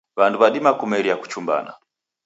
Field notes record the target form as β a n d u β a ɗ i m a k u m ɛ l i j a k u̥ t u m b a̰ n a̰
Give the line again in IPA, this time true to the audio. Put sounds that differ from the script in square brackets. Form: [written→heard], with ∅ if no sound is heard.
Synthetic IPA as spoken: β a n d u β a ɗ i m a k u m ɛ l i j a k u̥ [t→t͡ʃ] u m b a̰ n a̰